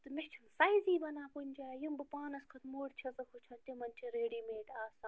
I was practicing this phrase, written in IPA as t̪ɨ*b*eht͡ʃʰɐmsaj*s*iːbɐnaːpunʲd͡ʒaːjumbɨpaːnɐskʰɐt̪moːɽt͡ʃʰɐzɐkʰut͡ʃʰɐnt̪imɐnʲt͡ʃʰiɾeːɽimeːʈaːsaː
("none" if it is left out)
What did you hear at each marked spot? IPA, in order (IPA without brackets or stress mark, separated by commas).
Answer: m, z